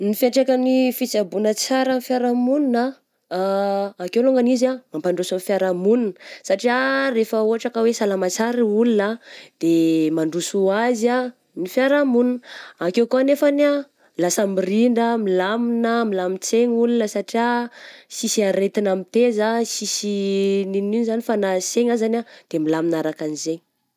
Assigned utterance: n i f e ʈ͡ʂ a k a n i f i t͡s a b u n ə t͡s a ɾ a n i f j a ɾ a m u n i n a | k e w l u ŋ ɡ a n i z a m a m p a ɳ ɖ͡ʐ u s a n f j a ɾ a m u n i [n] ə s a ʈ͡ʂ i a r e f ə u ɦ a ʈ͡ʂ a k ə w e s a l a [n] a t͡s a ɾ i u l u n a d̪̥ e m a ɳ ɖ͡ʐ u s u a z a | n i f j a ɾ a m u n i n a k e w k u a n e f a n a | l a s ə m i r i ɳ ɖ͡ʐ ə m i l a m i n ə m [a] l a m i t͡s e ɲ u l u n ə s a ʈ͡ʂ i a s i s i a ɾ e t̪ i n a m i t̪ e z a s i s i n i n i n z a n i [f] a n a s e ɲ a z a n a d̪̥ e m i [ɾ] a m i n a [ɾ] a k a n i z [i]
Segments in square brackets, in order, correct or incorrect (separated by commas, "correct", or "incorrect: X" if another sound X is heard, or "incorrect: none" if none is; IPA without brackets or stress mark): correct, incorrect: m, incorrect: i, correct, incorrect: l, correct, incorrect: e